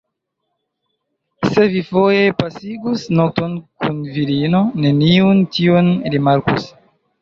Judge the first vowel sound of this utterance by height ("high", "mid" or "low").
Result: mid